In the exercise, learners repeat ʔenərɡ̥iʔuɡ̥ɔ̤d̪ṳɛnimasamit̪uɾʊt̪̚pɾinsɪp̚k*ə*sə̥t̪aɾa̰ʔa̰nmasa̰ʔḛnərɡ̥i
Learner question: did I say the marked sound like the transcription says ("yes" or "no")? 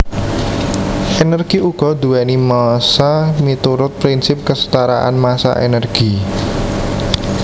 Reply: yes